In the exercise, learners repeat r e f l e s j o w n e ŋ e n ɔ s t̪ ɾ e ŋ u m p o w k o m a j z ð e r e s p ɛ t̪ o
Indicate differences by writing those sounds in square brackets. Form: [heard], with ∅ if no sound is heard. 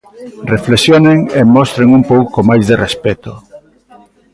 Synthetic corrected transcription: r e f l e s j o [∅] n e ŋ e [m] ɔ s t̪ ɾ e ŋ u m p o w k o m a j z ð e r e s p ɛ t̪ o